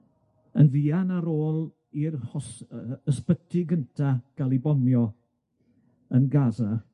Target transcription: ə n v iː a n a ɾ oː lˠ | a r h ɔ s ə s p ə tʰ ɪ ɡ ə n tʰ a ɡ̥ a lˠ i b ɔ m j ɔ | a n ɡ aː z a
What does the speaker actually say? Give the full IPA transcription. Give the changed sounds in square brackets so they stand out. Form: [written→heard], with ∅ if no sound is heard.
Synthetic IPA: ə n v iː a n a ɾ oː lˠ | [a→i] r h ɔ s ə s p ə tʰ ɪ ɡ ə n tʰ a ɡ̥ a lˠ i b ɔ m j ɔ | [a→ə] n ɡ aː z a